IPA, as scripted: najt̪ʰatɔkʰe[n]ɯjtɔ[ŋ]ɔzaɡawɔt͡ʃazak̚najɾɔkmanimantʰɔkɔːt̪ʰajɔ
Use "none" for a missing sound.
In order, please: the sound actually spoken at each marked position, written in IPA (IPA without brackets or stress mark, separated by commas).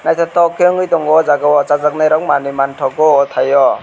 ŋ, ŋ